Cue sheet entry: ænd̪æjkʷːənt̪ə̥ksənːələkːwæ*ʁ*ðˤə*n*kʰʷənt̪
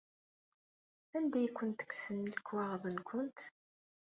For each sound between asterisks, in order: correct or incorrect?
correct, correct

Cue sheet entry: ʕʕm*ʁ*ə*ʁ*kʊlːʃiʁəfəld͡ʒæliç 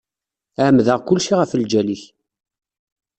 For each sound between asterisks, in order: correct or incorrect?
incorrect: ð, correct

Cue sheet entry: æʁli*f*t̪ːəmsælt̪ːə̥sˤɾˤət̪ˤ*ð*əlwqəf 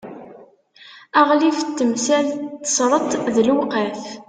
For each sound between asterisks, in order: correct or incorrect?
correct, correct

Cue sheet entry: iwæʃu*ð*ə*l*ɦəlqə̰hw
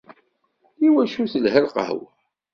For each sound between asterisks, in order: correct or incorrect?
incorrect: θ, correct

